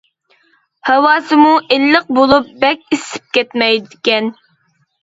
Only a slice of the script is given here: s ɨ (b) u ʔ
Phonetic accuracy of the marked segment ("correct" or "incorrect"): incorrect